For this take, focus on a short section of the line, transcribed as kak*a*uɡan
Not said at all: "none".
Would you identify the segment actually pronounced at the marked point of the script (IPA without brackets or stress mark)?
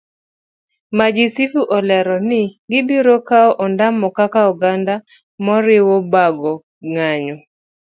a